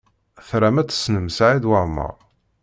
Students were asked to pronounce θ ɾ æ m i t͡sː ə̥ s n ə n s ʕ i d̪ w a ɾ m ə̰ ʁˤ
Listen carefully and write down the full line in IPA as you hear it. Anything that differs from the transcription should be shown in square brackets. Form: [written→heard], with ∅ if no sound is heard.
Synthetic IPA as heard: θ ɾ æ m [i→æ] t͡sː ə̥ s n ə [n→m] s ʕ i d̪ w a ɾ m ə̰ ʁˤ